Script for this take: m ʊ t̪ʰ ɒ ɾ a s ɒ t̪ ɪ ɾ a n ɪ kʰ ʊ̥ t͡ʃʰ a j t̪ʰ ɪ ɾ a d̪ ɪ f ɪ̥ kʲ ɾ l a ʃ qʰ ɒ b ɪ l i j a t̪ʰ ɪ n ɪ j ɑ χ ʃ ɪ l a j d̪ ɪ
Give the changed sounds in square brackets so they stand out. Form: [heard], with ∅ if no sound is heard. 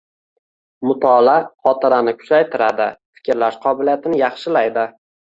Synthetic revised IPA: m ʊ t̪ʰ ɒ [l] a [χ] ɒ t̪ ɪ ɾ a n ɪ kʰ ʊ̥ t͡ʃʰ a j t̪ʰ ɪ ɾ a d̪ ɪ f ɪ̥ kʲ ɾ l a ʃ qʰ ɒ b ɪ l i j a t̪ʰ ɪ n ɪ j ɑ χ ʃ ɪ l a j d̪ ɪ